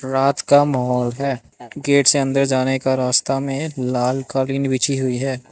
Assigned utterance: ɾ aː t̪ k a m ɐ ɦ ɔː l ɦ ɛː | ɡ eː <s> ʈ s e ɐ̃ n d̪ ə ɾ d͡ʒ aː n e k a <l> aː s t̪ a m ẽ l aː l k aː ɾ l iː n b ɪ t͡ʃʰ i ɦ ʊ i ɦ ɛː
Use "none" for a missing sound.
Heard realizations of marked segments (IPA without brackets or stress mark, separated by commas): none, ɾ